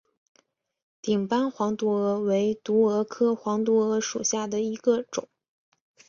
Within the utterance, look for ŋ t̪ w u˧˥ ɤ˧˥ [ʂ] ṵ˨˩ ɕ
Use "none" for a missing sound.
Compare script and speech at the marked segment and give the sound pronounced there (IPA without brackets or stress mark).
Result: ʂ